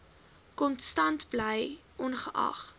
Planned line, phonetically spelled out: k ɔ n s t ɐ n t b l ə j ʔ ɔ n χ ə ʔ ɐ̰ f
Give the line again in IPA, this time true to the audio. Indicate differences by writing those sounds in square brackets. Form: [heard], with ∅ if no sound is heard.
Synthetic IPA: k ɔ n s t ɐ n t b l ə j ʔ ɔ n χ ə ʔ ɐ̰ [χ]

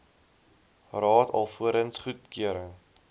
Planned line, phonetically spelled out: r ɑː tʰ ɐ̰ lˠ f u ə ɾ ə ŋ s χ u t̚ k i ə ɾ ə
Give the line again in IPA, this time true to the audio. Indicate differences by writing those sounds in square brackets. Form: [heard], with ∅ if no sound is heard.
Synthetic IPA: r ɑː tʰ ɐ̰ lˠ f u ə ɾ ə [n] s χ u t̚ k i ə ɾ ə

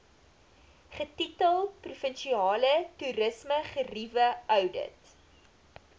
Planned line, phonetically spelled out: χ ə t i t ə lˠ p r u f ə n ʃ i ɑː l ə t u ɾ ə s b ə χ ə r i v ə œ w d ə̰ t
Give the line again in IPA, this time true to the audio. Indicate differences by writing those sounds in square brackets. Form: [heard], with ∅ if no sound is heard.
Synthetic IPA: χ ə t i t ə lˠ p r u f ə n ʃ i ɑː l ə t u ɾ ə s [m] ə χ ə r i v ə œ w d ə̰ t

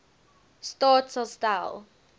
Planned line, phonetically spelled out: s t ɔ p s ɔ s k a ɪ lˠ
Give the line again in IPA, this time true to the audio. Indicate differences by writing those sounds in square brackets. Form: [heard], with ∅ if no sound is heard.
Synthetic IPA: s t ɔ [t] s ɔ s [t] a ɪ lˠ

